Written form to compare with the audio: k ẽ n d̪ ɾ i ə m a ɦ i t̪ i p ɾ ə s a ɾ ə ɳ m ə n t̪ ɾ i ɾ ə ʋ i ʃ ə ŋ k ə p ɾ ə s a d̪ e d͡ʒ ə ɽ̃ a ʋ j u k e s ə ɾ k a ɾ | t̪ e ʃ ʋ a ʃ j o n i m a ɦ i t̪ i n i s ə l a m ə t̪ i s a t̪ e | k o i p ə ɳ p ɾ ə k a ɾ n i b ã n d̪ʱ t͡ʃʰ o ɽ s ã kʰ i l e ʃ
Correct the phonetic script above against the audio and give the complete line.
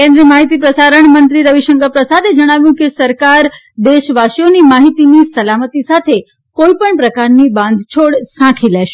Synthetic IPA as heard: k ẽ n d̪ ɾ i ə m a ɦ i t̪ i p ɾ ə s a ɾ ə ɳ m ə n t̪ ɾ i ɾ ə ʋ i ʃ ə ŋ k ə p ɾ ə s a d̪ e d͡ʒ ə ɽ̃ a ʋ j ũ k e s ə ɾ k a ɾ | d̪ e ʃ ʋ a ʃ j o n i m a ɦ i t̪ i n i s ə l a m ə t̪ i s a t̪ʰ e | k o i p ə ɳ p ɾ ə k a ɾ n i b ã n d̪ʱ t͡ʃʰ o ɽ s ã kʰ i l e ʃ